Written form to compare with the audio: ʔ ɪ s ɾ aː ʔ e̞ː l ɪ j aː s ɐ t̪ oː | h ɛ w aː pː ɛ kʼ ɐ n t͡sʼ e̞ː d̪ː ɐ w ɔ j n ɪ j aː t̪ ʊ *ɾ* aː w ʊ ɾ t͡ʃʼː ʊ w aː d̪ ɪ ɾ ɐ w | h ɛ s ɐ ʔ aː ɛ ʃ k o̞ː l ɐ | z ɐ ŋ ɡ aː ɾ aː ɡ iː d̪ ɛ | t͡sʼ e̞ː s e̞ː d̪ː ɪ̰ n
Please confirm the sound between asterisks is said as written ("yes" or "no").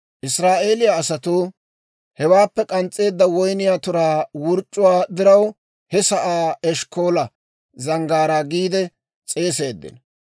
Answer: yes